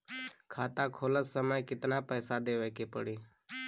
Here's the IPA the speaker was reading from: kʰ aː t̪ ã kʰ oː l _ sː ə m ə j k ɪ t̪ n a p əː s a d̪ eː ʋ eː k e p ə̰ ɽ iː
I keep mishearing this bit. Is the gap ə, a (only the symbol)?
ə